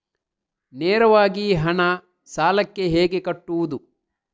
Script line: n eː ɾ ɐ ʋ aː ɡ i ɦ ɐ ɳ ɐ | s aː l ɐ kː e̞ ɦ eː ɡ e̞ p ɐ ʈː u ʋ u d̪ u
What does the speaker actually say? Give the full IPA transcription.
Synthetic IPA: n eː ɾ ɐ ʋ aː ɡ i ɦ ɐ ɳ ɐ | s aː l ɐ kː e̞ ɦ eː ɡ e̞ k ɐ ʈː u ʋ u d̪ u